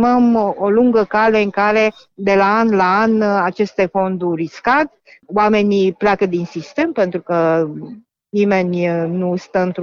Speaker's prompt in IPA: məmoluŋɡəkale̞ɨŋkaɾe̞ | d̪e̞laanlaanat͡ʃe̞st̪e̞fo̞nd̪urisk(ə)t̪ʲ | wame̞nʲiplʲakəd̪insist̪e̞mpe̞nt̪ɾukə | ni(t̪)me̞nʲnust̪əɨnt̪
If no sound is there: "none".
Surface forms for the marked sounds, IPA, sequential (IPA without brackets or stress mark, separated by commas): a, none